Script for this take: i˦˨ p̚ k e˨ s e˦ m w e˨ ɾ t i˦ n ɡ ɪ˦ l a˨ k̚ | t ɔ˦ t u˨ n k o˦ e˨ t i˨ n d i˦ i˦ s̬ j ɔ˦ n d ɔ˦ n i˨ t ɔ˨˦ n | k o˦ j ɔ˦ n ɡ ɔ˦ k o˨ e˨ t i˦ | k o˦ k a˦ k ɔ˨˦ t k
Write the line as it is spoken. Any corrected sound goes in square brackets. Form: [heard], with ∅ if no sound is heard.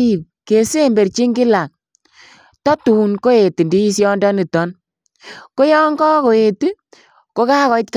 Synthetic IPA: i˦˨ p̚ k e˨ s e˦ m [b] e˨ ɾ [t͡ʃ] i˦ [ŋ] ɡ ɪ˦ l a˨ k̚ | t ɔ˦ t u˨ n k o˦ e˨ t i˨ n d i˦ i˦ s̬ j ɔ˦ n d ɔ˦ n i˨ t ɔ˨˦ n | k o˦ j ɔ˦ [ŋ] ɡ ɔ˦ k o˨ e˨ t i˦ | k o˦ k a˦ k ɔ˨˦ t k

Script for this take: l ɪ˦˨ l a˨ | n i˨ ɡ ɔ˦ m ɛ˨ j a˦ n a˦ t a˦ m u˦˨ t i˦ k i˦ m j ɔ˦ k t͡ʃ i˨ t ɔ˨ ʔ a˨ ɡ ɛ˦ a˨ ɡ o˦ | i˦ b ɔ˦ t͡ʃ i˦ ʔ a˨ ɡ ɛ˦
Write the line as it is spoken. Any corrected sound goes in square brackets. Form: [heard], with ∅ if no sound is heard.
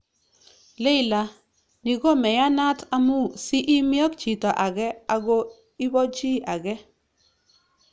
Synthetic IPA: l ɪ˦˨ l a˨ | n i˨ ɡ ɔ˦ m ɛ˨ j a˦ n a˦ t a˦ m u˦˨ [s] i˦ [ʔ] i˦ m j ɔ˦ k t͡ʃ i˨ t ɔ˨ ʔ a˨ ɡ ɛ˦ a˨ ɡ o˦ | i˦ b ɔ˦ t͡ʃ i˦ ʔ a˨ ɡ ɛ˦

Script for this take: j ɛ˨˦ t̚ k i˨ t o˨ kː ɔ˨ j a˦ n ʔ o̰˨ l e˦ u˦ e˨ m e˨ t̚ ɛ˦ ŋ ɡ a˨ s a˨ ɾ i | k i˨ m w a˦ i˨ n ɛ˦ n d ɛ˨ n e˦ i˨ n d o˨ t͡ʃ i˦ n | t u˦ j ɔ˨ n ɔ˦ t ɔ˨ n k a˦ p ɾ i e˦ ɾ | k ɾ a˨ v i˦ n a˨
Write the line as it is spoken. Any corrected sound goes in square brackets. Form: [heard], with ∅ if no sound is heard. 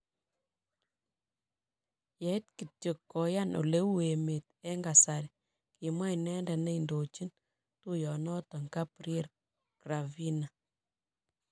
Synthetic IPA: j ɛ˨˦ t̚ k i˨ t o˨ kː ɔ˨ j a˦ n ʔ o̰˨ l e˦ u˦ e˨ m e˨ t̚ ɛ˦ ŋ ɡ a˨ s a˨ ɾ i | k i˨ m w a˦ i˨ n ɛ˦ n d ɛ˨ n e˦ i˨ n d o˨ t͡ʃ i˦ n | t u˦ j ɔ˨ n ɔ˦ t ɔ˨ [ŋ] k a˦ p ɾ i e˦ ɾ | k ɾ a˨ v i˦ n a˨

